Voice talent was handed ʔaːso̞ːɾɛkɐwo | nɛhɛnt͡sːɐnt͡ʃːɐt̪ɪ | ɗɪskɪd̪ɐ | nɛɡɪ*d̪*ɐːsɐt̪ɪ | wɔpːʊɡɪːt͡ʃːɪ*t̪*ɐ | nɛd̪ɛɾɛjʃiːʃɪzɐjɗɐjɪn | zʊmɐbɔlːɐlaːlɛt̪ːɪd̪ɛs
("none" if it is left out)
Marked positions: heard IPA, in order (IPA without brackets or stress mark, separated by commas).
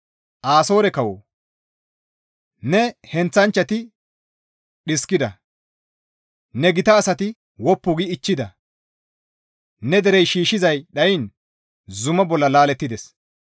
t̪, d̪